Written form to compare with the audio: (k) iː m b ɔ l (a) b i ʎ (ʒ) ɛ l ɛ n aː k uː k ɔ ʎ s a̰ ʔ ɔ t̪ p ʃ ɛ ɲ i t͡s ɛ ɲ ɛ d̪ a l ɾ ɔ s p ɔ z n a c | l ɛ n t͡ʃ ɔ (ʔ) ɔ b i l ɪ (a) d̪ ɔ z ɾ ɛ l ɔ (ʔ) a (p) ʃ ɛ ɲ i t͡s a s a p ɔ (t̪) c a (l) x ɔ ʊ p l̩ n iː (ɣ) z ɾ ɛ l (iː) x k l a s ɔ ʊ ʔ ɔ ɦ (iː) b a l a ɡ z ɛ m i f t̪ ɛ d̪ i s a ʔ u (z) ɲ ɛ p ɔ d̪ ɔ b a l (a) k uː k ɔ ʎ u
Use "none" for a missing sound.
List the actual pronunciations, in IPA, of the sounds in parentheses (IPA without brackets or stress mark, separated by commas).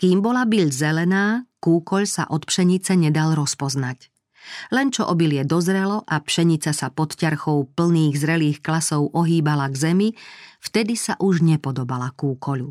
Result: k, a, z, ʔ, ɛ, ʔ, p, t̪, ɾ, ɣ, iː, iː, ʒ, a